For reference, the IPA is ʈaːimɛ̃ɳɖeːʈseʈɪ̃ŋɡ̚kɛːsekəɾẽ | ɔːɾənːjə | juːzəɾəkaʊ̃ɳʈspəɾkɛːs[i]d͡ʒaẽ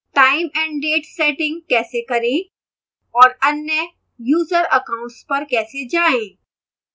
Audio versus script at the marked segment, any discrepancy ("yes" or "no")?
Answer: yes